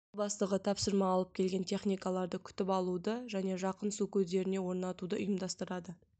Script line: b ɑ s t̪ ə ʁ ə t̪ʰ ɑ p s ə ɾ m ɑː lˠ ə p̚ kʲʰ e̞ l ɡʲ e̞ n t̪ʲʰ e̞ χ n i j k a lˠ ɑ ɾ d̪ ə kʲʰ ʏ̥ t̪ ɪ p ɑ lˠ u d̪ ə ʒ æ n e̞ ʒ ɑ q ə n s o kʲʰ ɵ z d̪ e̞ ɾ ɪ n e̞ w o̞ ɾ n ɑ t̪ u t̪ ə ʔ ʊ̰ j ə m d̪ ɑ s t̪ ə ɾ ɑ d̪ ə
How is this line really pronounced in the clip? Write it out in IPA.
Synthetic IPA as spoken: b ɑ s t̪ ə ʁ ə t̪ʰ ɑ p s ə ɾ m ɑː lˠ ə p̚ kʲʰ e̞ l ɡʲ e̞ n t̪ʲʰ e̞ χ n i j k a lˠ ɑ ɾ d̪ ə kʲʰ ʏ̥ t̪ ɪ p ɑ lˠ u d̪ ə ʒ æ n e̞ ʒ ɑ q ə n s u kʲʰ ɵ z d̪ e̞ ɾ ɪ n e̞ w o̞ ɾ n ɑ t̪ u d̪ ə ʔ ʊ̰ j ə m d̪ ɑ s t̪ ə ɾ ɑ d̪ ə